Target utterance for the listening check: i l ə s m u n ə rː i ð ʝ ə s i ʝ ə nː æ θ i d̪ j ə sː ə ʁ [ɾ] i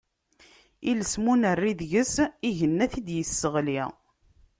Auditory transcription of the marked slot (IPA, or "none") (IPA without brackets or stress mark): l